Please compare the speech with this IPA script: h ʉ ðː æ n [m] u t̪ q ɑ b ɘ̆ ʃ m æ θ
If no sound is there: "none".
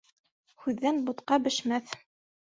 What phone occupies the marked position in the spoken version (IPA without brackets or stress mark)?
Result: b